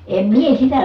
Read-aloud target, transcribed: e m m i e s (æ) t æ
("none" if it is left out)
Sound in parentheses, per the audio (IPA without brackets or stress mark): i